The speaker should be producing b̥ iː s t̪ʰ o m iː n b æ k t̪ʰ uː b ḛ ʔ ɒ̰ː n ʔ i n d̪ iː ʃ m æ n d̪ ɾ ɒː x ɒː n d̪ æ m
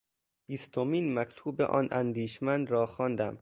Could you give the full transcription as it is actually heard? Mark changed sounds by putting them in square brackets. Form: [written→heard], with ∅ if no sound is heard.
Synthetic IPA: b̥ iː s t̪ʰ o m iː n [b→m] æ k t̪ʰ uː b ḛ ʔ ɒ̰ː n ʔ [i→æ] n d̪ iː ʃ m æ n d̪ ɾ ɒː x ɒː n d̪ æ m

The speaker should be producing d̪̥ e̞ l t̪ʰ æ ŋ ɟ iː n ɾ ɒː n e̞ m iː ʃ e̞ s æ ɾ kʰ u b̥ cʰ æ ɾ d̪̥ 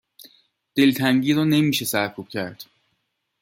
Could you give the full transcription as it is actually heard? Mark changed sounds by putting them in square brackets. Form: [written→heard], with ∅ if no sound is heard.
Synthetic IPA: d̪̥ e̞ l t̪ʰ æ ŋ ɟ iː [n→∅] ɾ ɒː n e̞ m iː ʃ e̞ s æ ɾ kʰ u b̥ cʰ æ ɾ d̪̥

